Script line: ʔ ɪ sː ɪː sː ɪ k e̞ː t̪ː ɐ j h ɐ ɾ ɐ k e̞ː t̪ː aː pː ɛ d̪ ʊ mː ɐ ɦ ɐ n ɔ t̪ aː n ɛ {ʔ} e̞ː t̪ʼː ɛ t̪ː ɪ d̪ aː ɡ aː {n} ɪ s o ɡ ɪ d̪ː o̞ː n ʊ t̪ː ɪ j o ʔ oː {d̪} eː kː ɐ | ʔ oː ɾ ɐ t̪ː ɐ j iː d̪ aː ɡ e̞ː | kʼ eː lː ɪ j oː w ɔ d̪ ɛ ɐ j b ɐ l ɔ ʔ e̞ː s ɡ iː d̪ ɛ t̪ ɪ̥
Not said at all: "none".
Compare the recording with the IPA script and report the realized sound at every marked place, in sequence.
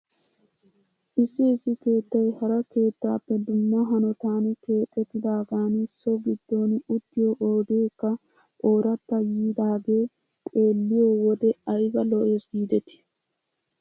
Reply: k, n, d̪

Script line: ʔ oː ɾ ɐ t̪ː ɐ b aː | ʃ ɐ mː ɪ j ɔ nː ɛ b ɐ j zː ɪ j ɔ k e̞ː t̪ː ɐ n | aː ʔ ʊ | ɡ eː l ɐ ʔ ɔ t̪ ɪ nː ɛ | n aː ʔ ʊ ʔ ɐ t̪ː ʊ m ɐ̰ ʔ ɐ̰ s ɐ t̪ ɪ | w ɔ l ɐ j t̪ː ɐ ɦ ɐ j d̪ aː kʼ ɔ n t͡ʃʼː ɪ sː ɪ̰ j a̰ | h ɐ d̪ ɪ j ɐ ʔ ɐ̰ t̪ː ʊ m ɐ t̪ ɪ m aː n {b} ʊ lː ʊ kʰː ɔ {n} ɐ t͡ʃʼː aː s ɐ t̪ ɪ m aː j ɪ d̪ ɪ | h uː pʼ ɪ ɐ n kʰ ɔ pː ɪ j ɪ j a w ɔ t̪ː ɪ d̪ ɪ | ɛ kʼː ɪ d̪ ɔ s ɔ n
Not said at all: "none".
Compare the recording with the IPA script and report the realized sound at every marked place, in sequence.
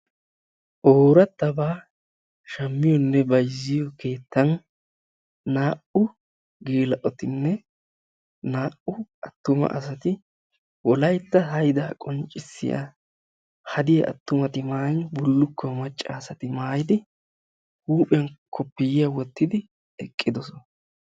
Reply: b, m

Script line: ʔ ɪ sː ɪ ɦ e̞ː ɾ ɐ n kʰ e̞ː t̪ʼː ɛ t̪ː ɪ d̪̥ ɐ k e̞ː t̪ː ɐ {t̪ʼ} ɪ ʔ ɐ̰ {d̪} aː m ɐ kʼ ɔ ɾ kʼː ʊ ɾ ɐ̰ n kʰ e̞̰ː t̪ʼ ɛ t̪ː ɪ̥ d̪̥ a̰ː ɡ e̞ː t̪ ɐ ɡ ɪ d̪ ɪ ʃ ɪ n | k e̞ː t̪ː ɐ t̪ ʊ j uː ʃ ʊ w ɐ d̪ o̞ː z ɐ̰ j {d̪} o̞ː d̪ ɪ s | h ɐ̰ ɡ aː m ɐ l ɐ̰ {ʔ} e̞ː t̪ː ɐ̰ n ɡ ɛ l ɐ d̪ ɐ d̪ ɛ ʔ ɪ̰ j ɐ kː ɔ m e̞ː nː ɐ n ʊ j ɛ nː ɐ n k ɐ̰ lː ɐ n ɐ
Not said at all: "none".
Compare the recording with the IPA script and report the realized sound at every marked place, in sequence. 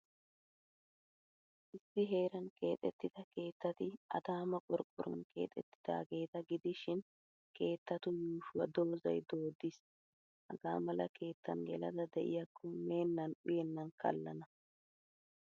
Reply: t̪, d̪, d̪, k

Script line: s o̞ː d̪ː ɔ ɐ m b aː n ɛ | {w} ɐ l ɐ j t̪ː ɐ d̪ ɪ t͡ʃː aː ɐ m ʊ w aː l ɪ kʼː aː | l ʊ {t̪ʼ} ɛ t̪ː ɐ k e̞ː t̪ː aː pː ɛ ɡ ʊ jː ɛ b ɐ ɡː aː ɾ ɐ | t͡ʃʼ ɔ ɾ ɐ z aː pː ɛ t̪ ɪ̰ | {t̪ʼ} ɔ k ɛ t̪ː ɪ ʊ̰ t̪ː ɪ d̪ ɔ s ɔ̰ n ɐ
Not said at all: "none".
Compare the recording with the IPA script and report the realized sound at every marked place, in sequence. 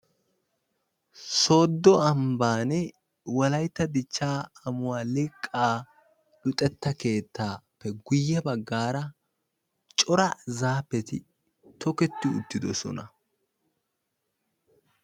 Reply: w, t̪ʼ, t̪

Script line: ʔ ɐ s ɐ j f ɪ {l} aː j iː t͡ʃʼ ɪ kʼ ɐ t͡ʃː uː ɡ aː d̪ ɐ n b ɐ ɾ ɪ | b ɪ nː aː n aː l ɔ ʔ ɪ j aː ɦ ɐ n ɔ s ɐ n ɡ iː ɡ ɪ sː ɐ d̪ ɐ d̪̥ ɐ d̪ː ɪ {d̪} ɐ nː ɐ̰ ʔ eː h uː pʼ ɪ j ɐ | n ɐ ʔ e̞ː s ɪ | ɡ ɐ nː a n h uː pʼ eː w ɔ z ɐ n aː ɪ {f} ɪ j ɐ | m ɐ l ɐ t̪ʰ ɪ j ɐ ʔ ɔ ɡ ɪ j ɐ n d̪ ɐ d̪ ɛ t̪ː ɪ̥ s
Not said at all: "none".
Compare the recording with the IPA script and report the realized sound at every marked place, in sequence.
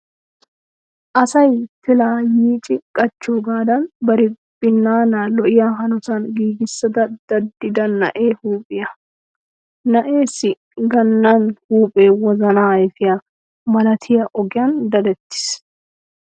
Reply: l, d̪, f

